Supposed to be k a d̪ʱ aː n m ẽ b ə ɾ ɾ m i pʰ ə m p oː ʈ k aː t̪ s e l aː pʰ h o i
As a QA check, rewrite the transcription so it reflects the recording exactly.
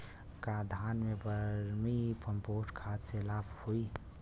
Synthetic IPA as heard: k a d̪ʱ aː n m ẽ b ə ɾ ɾ m i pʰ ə m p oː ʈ kʰ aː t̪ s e l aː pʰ h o i